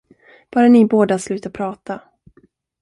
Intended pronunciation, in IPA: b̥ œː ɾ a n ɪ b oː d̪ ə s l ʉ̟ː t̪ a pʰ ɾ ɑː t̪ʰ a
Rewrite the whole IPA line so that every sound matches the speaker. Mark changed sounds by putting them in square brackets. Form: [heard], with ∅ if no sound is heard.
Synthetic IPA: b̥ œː ɾ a n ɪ b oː d̪ [a] s l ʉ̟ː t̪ a pʰ ɾ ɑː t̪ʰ a